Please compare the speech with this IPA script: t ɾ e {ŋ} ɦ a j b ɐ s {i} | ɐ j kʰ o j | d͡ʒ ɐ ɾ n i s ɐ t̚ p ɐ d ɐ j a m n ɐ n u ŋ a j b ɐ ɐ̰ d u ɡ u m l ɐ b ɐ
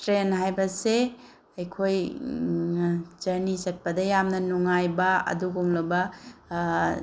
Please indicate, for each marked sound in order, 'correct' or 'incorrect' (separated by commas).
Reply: incorrect, incorrect